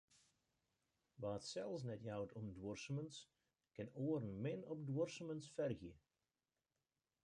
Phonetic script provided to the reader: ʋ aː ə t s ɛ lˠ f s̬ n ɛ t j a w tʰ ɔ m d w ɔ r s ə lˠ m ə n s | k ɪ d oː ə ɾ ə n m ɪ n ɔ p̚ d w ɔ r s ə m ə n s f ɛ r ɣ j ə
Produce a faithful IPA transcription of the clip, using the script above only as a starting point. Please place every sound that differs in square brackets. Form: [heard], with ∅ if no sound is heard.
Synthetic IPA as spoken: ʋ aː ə t s ɛ lˠ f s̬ n ɛ t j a w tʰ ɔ m d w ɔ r s ə [∅] m ə n s | k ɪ [n] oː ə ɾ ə n m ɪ n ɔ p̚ d w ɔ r s ə m ə n s f ɛ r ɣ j ə